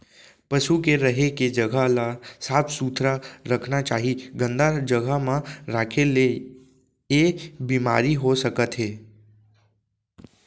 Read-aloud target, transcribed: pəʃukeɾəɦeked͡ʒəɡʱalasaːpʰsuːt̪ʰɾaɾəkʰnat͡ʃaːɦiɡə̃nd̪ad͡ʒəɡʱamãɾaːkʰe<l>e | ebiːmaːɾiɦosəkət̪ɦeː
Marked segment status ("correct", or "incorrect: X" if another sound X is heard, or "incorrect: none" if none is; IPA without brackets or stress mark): correct